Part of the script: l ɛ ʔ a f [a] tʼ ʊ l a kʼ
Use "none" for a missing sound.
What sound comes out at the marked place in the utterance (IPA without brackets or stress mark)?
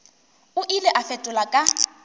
ɛ